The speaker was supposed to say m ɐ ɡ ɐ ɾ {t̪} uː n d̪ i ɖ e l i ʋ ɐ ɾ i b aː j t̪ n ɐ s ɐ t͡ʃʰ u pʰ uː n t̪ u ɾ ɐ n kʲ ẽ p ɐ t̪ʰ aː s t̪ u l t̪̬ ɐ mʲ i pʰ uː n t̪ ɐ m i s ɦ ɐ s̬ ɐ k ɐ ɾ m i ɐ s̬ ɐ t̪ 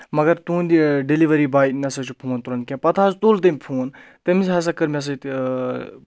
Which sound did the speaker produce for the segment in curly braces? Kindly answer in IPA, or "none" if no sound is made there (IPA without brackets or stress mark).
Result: t̪